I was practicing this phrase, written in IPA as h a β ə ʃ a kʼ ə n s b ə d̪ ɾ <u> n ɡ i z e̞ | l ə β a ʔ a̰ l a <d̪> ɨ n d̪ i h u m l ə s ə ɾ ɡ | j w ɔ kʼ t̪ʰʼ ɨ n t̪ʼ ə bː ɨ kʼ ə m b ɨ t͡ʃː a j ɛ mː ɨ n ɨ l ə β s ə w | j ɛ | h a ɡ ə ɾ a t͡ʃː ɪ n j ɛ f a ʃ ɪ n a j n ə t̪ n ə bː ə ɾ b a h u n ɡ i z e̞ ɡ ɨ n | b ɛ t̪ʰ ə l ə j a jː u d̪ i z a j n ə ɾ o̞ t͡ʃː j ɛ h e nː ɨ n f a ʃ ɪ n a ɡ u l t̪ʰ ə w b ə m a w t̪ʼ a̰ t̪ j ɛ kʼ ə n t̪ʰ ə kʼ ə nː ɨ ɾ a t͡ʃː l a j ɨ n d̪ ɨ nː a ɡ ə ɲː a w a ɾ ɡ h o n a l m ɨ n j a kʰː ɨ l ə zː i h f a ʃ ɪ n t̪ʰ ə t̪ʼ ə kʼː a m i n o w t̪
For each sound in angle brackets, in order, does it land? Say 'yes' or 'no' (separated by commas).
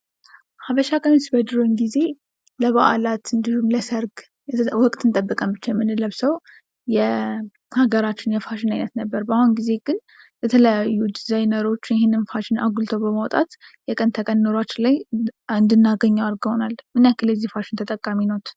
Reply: no, no